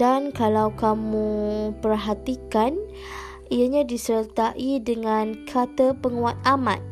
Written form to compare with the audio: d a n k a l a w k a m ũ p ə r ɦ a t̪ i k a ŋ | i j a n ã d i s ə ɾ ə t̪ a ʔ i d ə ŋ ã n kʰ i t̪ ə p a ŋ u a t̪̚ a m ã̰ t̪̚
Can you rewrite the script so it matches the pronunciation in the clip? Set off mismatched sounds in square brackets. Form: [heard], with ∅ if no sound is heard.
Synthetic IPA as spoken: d a n k a l a w k a m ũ p ə r ɦ a t̪ i k a [n] | i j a [ɲ] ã d i s ə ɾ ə t̪ a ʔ i d ə ŋ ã n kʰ [a] t̪ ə p [ə] ŋ u a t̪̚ a m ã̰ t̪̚